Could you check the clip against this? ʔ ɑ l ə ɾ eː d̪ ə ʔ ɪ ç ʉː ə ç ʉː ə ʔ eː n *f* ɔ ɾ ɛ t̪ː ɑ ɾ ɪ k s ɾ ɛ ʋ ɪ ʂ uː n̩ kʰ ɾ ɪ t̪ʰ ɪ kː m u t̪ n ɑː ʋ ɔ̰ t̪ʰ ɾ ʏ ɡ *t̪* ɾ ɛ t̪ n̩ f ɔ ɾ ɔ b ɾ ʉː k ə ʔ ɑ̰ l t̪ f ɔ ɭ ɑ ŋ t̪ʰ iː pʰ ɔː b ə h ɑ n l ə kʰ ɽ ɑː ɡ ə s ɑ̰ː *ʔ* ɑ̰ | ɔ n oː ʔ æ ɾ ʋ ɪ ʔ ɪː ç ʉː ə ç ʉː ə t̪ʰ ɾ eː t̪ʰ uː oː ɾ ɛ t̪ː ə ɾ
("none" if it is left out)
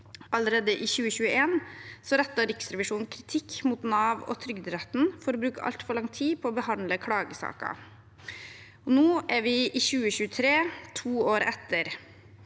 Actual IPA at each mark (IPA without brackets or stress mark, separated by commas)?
s, d̪, k